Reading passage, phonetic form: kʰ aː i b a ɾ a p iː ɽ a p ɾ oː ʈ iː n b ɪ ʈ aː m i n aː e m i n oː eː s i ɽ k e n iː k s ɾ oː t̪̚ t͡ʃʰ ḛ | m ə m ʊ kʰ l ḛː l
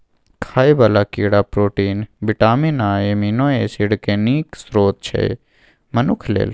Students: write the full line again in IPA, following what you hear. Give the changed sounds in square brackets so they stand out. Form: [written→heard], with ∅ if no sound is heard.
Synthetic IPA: kʰ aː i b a [ɾ→l] a [p→k] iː ɽ a p ɾ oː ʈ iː n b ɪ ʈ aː m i n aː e m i n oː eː s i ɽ k e n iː k s ɾ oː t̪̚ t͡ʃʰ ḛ | m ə [m→n] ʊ kʰ l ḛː l